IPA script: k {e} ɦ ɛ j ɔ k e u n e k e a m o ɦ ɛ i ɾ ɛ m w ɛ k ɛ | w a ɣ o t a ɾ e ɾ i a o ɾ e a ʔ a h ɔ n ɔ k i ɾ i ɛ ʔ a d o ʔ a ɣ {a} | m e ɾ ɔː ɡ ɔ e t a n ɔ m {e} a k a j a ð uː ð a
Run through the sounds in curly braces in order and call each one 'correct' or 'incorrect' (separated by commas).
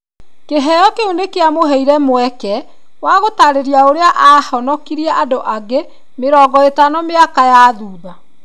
correct, incorrect, correct